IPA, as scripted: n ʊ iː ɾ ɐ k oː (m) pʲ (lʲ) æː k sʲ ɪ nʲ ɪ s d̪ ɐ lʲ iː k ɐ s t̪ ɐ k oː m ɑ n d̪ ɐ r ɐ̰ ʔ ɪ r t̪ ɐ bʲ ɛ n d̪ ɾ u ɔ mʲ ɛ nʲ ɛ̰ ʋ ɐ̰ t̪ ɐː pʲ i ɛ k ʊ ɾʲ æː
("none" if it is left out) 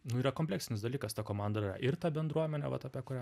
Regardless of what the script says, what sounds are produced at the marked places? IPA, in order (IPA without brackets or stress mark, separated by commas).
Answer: m, lʲ